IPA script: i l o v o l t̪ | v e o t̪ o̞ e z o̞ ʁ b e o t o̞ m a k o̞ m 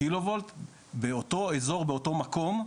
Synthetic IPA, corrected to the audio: i l o v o l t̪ | b e o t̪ o̞ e z o̞ ʁ b e o t o̞ m a k o̞ m